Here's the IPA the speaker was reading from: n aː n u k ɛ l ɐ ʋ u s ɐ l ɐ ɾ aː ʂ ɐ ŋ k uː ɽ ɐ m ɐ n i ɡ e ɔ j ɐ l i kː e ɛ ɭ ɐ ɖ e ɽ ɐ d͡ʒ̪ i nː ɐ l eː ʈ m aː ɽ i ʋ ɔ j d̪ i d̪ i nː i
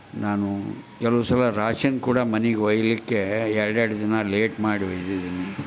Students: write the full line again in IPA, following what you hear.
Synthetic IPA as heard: n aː n u k ɛ l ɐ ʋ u s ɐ l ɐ ɾ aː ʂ ɐ n k uː ɽ ɐ m ɐ n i ɡ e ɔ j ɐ l i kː e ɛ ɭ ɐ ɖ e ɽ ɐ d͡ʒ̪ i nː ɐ l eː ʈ m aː ɽ i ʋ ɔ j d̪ i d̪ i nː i